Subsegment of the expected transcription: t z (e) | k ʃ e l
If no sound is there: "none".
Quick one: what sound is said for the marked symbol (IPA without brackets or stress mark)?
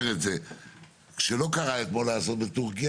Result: e